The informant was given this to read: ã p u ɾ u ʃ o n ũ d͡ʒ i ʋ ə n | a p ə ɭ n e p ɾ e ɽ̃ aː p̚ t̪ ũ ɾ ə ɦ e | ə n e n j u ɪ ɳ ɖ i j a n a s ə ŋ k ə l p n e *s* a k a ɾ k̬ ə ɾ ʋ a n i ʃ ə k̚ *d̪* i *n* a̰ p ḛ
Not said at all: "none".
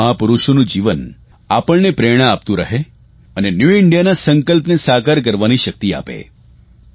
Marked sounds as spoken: s, t̪, none

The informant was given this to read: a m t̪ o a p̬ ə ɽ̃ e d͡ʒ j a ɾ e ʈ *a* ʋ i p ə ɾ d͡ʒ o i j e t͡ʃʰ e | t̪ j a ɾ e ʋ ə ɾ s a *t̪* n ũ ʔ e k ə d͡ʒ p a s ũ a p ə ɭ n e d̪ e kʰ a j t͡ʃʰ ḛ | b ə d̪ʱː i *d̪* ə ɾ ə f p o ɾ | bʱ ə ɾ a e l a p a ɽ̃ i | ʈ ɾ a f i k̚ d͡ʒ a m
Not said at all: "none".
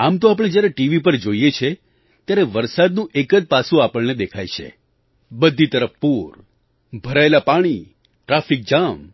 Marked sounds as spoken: i, d̪, t̪

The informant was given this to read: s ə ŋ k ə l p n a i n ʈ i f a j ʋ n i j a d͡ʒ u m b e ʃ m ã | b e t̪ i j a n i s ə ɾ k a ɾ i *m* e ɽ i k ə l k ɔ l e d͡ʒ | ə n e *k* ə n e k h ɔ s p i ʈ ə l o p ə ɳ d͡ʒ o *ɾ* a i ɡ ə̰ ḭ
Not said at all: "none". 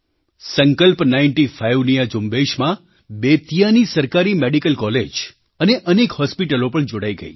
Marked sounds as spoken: m, ʔ, ɽ

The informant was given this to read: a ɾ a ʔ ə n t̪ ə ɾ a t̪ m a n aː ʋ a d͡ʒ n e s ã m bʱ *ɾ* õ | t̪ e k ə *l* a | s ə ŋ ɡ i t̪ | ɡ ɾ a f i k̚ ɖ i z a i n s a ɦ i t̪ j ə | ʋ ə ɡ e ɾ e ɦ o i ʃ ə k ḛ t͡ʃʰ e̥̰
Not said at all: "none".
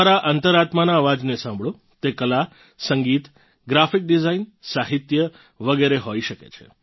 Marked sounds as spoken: ɭ, l

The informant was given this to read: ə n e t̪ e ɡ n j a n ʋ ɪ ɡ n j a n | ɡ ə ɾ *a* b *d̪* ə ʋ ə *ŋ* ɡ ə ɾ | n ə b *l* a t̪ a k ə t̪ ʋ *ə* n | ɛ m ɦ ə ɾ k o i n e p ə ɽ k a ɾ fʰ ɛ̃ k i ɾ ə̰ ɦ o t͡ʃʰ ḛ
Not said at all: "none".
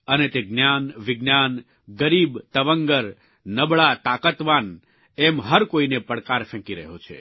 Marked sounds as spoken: i, t̪, ŋ, ɭ, a

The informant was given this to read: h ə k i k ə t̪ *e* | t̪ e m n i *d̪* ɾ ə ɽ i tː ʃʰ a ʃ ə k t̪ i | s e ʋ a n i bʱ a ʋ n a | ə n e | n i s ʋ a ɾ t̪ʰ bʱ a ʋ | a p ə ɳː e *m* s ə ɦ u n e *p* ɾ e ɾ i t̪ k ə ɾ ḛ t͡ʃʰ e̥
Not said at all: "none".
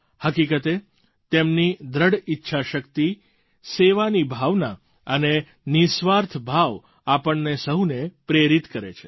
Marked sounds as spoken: e, d̪, none, p

